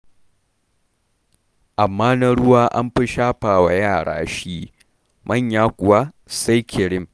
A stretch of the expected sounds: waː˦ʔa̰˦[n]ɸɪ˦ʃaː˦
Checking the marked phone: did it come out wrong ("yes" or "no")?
yes